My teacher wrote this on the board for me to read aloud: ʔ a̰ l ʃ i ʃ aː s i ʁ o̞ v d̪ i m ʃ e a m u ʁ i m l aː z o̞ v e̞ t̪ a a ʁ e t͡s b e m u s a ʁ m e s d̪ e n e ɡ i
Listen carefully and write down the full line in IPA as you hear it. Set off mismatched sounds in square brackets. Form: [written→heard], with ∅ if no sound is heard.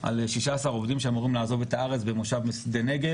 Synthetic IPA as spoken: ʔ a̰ l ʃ i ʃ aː s [i→a] ʁ o̞ v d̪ i m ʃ e a m u ʁ i m l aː z o̞ v e̞ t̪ a a ʁ e t͡s b e m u [s→ʃ] a [ʁ→v] m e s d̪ e n e ɡ [i→e]